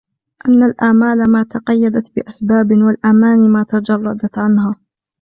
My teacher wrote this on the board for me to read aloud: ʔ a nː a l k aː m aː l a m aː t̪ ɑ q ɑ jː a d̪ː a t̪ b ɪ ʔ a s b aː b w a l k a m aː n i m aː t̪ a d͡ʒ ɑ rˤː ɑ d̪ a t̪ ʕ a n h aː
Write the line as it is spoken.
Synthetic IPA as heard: ʔ a nː a l ʔ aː m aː l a m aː t̪ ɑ q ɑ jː a d̪ a t̪ b ɪ ʔ a s b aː b w a l ʔ a m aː n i m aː t̪ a d͡ʒ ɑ rˤː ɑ d̪ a t̪ ʕ a n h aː

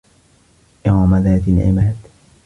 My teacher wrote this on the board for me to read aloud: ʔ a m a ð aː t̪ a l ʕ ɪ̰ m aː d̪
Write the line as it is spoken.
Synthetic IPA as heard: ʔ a m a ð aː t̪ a l ʕ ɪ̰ m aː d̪

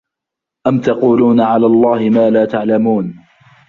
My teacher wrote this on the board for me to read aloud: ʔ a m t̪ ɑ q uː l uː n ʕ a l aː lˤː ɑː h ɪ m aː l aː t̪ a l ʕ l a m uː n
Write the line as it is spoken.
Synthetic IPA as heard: ʔ a m t̪ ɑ q uː l uː n ʕ a l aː lˤː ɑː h ɪ m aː l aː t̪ a ʕ l a m uː n

